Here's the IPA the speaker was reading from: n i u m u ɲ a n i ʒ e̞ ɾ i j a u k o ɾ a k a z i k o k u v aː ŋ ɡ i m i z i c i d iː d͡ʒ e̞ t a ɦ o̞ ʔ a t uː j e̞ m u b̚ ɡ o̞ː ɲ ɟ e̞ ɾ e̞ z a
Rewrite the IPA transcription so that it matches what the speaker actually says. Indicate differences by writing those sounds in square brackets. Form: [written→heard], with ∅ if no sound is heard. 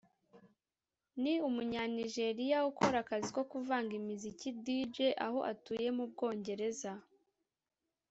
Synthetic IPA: n i u m u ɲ a n i ʒ e̞ ɾ i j a u k o ɾ a k a z i k o k u v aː ŋ ɡ i m i z i c i d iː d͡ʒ e̞ [t→ʔ] a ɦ o̞ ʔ a t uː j e̞ m u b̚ ɡ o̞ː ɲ ɟ e̞ ɾ e̞ z a